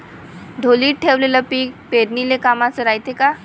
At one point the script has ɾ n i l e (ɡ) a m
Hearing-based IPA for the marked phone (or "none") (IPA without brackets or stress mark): k